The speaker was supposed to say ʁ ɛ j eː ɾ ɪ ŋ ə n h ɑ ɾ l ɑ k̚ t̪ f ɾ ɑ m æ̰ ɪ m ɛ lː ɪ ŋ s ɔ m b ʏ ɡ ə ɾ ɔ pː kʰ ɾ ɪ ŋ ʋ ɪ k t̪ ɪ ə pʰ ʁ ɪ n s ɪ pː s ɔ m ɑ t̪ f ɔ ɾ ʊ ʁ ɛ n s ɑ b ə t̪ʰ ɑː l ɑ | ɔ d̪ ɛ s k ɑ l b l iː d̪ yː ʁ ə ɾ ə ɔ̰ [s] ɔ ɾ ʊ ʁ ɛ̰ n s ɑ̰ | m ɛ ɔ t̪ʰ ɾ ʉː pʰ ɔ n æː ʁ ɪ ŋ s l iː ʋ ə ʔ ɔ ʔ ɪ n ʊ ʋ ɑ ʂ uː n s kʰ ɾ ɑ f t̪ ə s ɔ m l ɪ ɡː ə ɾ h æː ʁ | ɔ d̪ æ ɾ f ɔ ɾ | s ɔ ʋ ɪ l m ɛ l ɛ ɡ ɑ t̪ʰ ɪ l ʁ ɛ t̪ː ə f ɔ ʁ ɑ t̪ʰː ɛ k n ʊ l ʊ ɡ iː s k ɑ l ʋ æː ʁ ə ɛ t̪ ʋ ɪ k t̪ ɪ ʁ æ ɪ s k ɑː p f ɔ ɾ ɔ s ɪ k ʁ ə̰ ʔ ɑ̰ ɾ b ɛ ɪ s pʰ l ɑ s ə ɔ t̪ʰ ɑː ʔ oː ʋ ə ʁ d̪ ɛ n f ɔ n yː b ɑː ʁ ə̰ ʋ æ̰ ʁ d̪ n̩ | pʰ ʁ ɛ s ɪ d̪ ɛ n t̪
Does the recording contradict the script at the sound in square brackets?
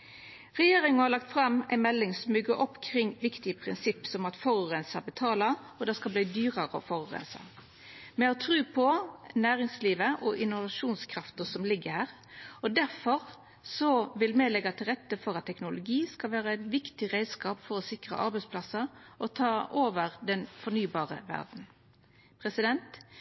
yes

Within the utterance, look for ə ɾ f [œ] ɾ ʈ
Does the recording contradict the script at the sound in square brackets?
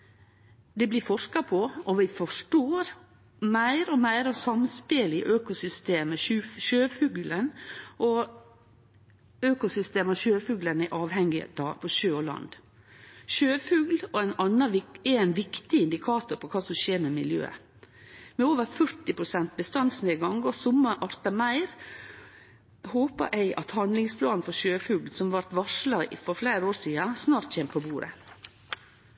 no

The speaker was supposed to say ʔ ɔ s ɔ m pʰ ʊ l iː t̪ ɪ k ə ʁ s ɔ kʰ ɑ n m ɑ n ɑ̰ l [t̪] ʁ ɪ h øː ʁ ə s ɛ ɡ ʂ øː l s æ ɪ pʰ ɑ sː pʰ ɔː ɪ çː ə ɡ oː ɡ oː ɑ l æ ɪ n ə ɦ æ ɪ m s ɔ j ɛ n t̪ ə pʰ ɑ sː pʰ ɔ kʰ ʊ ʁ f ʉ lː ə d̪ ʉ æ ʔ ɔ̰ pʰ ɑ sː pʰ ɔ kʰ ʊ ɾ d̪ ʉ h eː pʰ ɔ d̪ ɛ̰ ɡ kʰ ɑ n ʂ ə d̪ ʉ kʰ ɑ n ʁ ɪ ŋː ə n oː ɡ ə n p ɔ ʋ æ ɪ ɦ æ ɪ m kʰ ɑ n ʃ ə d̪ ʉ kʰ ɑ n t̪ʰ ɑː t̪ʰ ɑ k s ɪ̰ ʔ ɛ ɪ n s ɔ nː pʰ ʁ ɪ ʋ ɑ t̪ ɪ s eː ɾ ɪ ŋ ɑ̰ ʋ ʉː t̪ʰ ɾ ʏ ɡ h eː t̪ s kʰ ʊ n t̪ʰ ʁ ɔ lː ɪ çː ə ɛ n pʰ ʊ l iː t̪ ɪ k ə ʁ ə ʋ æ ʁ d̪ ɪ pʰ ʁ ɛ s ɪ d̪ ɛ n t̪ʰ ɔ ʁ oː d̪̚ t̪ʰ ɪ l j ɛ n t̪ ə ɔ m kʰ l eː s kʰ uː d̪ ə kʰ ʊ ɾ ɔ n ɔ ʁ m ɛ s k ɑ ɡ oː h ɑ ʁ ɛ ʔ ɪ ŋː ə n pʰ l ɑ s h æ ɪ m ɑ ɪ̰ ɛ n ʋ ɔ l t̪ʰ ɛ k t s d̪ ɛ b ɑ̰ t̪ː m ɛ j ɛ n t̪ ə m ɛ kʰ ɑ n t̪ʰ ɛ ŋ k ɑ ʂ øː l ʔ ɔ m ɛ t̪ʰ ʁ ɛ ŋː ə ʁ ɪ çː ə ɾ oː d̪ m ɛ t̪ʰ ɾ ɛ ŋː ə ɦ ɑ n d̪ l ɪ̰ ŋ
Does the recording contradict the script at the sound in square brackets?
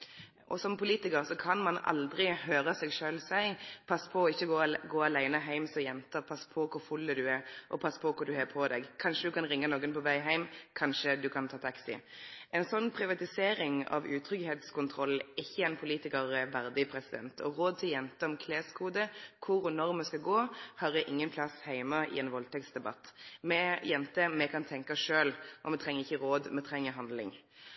yes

